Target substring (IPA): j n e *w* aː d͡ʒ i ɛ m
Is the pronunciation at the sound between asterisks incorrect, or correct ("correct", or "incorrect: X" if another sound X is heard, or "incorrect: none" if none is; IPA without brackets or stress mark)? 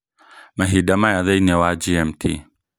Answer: correct